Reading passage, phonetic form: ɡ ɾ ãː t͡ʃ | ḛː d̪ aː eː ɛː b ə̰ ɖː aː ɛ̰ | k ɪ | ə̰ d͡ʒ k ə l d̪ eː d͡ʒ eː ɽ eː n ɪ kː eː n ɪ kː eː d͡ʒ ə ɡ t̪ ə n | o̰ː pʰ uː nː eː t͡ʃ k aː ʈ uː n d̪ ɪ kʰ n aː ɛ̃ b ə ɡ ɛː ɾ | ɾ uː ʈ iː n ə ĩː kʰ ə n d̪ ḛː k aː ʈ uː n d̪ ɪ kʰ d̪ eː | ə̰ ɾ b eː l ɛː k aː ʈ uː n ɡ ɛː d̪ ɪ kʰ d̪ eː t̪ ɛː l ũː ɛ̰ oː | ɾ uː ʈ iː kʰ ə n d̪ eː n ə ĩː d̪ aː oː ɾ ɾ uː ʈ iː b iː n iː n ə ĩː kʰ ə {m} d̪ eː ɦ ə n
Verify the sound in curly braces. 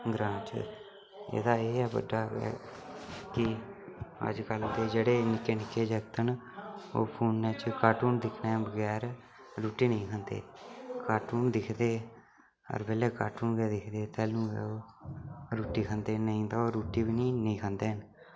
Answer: incorrect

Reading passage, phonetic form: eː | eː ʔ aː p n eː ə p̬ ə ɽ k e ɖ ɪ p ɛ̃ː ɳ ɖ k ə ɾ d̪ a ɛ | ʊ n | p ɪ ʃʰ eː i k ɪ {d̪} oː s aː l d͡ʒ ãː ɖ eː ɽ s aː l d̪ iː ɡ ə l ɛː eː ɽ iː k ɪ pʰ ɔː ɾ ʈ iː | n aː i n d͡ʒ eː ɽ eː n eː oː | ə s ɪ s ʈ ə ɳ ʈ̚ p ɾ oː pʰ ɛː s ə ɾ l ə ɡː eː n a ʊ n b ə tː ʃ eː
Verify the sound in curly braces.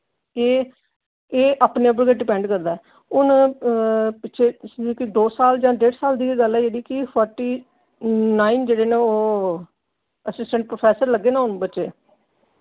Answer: correct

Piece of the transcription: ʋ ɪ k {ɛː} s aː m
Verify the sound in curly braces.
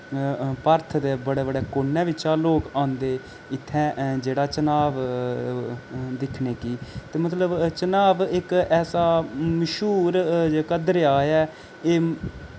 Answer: correct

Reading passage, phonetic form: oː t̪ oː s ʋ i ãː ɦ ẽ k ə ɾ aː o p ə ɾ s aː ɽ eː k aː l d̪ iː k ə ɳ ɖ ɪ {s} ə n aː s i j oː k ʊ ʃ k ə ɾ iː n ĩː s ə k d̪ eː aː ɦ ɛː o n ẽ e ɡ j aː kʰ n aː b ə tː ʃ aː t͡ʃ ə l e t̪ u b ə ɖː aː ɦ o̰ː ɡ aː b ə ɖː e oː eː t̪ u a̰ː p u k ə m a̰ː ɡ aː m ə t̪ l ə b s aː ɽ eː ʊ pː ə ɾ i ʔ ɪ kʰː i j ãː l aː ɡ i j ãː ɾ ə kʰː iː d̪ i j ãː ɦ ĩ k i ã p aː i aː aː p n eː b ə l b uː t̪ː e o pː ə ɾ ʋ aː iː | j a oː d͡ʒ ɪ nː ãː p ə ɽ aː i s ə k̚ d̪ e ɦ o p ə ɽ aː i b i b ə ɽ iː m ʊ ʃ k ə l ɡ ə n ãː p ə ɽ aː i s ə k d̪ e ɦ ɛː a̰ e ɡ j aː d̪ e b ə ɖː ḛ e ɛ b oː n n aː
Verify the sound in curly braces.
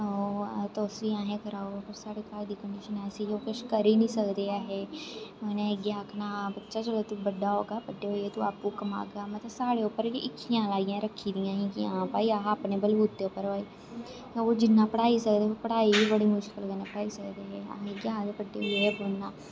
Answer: incorrect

